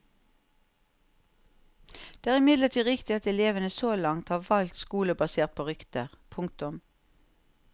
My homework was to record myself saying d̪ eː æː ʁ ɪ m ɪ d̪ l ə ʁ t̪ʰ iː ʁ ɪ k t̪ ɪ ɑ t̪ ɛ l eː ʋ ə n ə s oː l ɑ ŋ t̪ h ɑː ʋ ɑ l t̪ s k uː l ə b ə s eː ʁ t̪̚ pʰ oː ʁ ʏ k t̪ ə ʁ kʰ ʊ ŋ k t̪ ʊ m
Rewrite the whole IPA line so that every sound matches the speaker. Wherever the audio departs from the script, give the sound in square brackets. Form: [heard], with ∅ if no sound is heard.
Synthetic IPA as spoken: d̪ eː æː ʁ ɪ m ɪ d̪ l ə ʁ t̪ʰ iː ʁ ɪ k t̪ ɪ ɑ t̪ ɛ l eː ʋ ə n ə s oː l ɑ ŋ t̪ h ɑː ʋ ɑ l t̪ s k uː l ə b [ɑ] s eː ʁ t̪̚ pʰ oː ʁ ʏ k t̪ ə ʁ [pʰ] ʊ ŋ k t̪ ʊ m